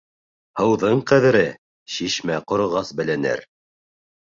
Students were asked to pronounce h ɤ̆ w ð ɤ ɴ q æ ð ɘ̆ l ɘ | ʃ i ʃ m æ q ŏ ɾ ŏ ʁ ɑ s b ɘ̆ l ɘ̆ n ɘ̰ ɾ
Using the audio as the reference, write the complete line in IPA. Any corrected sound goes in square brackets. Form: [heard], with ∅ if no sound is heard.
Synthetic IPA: h ɤ̆ w ð ɤ ɴ q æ ð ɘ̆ [ɾ] ɘ | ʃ i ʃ m æ q ŏ ɾ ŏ ʁ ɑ s b ɘ̆ l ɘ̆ n ɘ̰ ɾ